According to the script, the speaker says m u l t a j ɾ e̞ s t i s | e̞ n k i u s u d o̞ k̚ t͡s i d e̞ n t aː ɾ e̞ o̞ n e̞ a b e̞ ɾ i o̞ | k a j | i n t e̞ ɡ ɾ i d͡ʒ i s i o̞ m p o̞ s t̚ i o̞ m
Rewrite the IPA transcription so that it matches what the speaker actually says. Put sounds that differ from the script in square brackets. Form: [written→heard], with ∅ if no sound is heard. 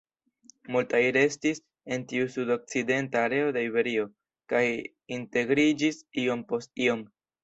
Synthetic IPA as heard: m u l t a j ɾ e̞ s t i s | e̞ n [k→t] i u s u d o̞ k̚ t͡s i d e̞ n t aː ɾ e̞ o̞ [n→d] e̞ [a→i] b e̞ ɾ i o̞ | k a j | i n t e̞ ɡ ɾ i d͡ʒ i s i o̞ m p o̞ s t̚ i o̞ m